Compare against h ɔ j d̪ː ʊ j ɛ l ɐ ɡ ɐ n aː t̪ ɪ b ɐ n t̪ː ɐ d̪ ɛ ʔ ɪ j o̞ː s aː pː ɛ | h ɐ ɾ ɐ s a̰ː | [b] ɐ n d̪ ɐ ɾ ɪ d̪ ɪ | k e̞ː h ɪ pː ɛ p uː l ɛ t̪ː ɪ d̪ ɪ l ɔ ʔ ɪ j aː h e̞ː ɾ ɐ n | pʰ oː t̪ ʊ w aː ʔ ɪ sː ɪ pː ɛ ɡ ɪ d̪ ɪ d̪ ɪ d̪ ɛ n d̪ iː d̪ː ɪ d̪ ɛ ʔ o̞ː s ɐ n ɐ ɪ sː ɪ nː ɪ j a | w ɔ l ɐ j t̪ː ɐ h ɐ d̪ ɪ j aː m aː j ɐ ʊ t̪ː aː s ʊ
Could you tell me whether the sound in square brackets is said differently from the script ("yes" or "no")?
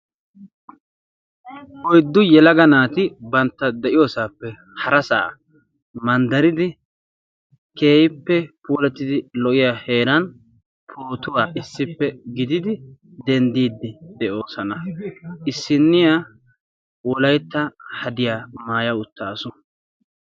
yes